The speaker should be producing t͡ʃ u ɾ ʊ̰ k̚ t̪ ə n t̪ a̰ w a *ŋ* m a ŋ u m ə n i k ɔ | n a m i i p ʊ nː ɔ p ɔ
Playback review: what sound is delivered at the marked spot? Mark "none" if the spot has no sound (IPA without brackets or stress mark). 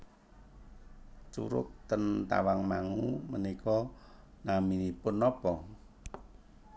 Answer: ŋ